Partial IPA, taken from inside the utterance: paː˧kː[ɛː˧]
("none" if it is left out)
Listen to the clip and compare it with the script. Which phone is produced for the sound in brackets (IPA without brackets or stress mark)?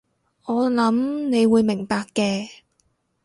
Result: ɛː˧